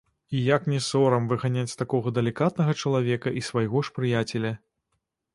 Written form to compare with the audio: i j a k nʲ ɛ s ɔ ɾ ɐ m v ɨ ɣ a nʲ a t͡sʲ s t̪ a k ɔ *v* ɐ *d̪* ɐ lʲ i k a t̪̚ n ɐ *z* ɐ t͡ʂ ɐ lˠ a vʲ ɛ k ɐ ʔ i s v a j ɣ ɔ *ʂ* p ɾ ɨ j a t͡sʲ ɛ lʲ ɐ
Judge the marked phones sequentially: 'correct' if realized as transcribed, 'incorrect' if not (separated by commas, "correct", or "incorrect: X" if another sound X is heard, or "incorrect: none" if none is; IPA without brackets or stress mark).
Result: incorrect: ɣ, correct, incorrect: ɣ, correct